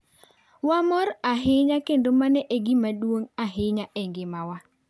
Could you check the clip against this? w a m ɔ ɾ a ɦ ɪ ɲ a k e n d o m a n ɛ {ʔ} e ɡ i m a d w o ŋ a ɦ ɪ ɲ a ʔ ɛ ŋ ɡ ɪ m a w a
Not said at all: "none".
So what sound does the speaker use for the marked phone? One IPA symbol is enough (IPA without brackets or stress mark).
ʔ